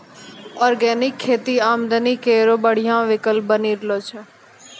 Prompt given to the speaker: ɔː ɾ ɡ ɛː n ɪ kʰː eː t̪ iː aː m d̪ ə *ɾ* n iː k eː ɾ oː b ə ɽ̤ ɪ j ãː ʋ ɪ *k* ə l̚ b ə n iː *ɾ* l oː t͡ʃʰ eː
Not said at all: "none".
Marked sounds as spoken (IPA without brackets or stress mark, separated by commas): none, k, ɾ